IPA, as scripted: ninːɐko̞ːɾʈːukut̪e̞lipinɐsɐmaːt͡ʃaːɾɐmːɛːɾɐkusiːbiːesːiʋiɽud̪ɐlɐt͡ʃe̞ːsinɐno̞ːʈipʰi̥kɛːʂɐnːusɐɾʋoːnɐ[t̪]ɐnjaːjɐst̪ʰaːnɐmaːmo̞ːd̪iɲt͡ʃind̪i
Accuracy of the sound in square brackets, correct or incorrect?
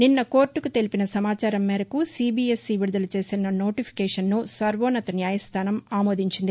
correct